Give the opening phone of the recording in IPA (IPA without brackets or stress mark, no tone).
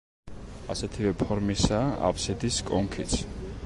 a